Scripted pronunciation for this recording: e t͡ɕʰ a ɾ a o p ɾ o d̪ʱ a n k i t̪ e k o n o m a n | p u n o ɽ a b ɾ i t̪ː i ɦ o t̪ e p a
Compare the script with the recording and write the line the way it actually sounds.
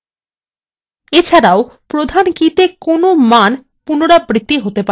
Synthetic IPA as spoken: e t͡ɕʰ a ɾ a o p ɾ o d̪ʱ a n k i t̪ e k o n o m a n | p u n o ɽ a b ɾ i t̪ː i ɦ o t̪ e p a